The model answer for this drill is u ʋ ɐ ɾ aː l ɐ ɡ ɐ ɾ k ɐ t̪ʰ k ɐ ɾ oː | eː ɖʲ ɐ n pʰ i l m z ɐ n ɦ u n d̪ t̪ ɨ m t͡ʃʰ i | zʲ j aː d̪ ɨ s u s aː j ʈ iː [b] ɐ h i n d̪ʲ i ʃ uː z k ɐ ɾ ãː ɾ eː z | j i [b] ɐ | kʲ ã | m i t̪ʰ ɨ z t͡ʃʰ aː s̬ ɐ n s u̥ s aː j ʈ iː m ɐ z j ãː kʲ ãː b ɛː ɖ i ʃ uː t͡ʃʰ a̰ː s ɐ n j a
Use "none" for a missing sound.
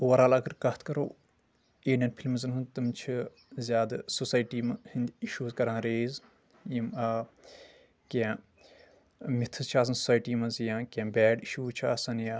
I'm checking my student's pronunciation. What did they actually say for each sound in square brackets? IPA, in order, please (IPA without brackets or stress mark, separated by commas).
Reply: m, m